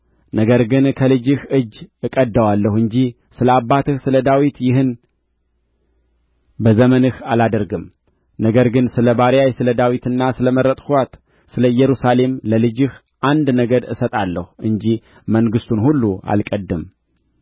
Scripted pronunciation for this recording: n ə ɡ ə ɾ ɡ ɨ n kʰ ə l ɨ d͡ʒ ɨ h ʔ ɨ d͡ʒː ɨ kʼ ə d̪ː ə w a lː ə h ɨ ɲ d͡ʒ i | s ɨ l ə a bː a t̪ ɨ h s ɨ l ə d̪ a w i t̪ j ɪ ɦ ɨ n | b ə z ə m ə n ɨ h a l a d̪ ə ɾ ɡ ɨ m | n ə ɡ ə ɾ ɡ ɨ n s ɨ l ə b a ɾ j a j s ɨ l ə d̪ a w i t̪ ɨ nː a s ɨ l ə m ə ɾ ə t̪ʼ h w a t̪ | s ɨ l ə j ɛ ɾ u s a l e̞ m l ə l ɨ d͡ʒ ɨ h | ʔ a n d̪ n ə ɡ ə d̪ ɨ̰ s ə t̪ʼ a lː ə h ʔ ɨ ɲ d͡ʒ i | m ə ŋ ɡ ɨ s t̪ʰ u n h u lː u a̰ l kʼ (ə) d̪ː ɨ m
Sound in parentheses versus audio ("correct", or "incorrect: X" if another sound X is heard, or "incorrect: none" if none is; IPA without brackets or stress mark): correct